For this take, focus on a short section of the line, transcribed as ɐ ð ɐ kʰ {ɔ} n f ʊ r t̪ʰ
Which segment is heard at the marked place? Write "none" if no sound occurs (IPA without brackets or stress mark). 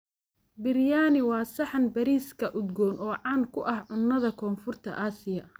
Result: ɔː